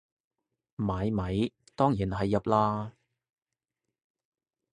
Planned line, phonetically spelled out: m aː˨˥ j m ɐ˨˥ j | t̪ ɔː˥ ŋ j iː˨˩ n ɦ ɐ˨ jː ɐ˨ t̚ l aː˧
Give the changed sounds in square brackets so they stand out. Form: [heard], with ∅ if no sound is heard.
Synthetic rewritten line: m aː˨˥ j m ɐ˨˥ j | t̪ ɔː˥ ŋ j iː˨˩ n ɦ ɐ˨ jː ɐ˨ [p̚] l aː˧